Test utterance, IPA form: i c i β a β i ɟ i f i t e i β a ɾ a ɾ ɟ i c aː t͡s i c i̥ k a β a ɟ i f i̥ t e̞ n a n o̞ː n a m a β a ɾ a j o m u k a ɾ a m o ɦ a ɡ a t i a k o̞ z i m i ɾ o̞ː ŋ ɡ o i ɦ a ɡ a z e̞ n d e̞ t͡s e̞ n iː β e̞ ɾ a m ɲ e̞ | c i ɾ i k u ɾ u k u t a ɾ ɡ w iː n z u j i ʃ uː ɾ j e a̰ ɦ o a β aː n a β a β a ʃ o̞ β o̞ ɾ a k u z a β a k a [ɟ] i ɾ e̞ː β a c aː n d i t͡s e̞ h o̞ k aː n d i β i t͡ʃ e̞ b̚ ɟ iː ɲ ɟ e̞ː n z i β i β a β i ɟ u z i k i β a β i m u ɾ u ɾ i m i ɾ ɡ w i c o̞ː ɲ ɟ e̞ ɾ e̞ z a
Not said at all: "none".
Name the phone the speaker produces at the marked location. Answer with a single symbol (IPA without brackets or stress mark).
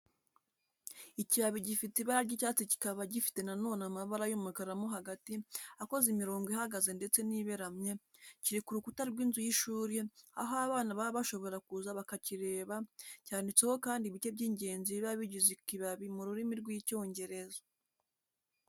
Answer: c